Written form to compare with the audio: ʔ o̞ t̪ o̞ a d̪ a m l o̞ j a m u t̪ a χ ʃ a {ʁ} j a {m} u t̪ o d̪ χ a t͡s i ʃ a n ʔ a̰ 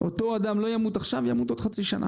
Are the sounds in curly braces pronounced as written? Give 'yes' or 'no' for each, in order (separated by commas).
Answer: no, yes